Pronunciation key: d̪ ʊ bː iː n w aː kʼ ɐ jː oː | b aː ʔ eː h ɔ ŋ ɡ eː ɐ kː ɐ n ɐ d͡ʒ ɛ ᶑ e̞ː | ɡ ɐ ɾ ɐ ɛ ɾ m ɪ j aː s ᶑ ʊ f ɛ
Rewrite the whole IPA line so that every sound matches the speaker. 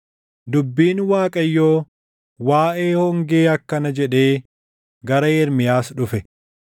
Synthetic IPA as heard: d̪ ʊ bː iː n w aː kʼ ɐ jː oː | w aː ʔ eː h ɔ ŋ ɡ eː ɐ kː ɐ n ɐ d͡ʒ ɛ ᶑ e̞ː | ɡ ɐ ɾ ɐ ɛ ɾ m ɪ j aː s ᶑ ʊ f ɛ